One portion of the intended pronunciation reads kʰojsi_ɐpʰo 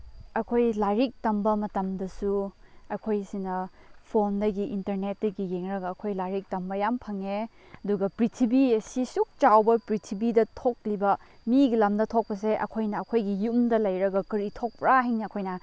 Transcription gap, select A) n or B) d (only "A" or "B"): A